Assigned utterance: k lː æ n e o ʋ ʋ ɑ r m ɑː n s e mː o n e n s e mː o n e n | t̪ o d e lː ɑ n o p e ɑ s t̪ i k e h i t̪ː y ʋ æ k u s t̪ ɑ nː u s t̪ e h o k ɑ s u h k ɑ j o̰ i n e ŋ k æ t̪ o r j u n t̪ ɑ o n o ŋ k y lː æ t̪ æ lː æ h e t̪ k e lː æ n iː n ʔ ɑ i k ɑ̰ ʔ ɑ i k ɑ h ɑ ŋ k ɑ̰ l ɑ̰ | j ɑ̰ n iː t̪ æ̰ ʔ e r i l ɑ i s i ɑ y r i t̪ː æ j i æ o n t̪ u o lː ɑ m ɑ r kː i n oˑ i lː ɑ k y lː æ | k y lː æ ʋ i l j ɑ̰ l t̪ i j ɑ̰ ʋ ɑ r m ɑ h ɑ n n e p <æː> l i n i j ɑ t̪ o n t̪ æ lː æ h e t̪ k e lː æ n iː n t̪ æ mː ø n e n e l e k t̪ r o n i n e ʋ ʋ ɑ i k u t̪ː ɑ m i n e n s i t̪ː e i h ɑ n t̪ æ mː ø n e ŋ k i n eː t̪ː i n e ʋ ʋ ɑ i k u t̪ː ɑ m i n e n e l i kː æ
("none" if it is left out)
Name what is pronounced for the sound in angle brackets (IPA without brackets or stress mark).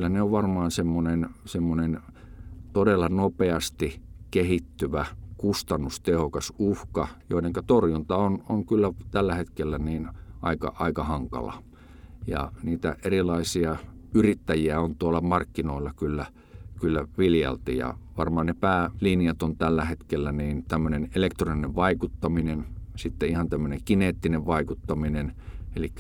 æː